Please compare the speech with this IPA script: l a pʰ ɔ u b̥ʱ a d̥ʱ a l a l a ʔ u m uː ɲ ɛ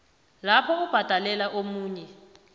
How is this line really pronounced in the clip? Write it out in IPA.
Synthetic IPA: l a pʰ ɔ u b̥ʱ a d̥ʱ a l ɛ l a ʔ o m uː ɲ ɛ